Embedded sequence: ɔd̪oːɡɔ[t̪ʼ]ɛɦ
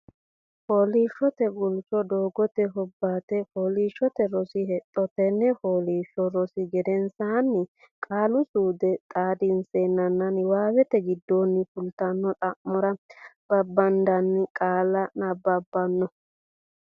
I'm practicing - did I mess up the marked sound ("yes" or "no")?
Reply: yes